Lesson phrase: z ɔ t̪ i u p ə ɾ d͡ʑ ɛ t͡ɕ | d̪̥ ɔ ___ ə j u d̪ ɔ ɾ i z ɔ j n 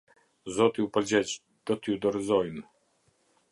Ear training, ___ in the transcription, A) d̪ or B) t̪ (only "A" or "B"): B